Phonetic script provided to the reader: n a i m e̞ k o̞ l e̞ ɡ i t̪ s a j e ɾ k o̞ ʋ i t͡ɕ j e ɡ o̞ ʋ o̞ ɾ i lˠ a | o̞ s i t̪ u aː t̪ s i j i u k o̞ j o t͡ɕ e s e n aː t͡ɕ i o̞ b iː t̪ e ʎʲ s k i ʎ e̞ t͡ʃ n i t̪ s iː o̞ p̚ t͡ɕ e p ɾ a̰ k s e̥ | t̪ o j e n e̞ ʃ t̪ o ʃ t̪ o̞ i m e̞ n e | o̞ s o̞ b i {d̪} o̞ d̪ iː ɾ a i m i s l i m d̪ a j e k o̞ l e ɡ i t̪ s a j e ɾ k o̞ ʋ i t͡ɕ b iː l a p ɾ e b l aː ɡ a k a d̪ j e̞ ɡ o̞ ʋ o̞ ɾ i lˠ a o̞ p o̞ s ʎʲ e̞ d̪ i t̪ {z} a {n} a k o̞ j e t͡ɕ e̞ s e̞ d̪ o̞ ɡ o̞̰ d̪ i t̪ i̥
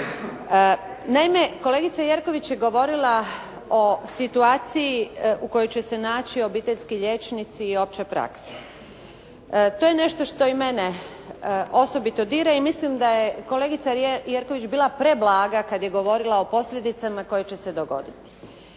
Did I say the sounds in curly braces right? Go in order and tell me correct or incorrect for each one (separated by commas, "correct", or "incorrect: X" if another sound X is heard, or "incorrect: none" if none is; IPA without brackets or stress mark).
incorrect: t̪, incorrect: s, incorrect: m